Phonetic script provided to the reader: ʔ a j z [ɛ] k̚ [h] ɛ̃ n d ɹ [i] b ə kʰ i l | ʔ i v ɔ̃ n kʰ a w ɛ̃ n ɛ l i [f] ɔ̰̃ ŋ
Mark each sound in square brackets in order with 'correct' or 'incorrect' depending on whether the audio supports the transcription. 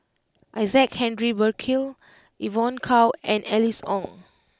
correct, correct, correct, incorrect

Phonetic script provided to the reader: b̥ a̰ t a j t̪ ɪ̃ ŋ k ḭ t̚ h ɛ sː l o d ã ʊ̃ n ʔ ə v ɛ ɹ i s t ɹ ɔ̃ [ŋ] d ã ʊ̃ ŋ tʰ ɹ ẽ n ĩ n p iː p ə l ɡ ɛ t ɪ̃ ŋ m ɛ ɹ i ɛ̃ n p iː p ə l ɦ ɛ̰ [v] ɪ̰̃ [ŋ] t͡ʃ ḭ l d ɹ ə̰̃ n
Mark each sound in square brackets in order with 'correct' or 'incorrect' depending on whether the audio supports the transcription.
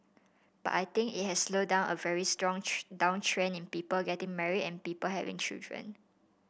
correct, correct, correct

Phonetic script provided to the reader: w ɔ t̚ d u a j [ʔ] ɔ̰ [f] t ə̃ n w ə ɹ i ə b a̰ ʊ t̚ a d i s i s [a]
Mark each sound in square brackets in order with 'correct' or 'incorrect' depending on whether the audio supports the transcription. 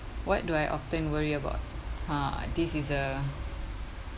correct, correct, incorrect

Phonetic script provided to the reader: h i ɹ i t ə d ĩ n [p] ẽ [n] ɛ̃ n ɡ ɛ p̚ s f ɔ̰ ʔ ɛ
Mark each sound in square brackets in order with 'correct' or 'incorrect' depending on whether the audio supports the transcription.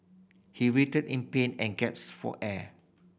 correct, correct

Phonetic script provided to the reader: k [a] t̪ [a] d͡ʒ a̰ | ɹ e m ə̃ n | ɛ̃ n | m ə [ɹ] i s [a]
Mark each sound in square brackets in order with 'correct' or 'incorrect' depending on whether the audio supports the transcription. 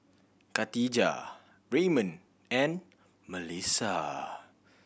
correct, incorrect, incorrect, correct

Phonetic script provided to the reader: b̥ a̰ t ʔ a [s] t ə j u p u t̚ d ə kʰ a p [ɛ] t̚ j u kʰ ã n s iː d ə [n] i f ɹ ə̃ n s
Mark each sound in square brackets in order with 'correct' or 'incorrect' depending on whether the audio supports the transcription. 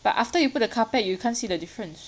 incorrect, correct, incorrect

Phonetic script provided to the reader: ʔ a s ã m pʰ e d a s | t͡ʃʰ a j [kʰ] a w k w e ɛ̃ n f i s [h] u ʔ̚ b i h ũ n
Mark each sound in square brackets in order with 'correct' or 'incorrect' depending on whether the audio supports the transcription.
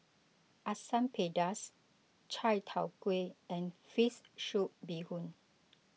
incorrect, incorrect

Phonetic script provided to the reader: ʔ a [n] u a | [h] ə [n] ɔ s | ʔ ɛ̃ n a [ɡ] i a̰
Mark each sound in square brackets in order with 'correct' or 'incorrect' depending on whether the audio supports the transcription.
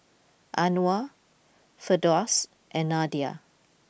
correct, incorrect, incorrect, incorrect

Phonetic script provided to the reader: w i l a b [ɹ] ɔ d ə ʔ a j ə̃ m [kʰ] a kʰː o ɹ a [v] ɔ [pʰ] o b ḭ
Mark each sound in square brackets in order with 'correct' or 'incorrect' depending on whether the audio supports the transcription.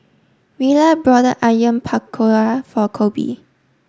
correct, incorrect, incorrect, incorrect

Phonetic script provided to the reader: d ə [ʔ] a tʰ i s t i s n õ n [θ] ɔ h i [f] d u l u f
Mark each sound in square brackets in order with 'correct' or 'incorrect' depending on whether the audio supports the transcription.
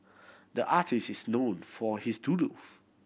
correct, incorrect, incorrect

